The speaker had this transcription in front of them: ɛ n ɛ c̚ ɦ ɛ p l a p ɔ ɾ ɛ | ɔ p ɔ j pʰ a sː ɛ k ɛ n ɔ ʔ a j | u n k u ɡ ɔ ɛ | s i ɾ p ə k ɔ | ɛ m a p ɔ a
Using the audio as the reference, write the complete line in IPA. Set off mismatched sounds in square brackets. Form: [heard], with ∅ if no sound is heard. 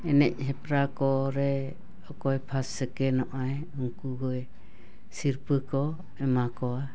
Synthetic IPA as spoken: ɛ n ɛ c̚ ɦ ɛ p [ɾ] a [k] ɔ ɾ ɛ | ɔ [k] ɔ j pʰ a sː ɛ k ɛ n ɔ ʔ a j | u [ŋ] k u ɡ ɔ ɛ | s i ɾ p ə k ɔ | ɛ m a [k] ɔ a